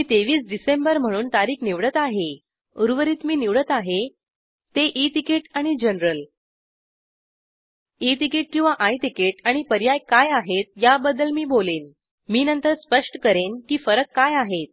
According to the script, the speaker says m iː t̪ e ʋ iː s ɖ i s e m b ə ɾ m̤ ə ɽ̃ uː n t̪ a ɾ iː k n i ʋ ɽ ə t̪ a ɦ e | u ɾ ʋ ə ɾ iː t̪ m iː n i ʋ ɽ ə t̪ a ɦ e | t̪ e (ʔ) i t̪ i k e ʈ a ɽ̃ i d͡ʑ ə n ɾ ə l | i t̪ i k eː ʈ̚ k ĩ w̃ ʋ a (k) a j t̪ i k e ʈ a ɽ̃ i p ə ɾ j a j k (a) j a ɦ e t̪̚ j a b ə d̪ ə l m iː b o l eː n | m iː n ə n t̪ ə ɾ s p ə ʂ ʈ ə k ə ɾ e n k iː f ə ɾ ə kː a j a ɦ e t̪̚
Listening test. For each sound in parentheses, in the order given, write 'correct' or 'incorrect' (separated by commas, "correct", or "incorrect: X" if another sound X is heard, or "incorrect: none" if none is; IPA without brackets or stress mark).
correct, incorrect: ʔ, correct